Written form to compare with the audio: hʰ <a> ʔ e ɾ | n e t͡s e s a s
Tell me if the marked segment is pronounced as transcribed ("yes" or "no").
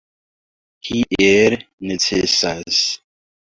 no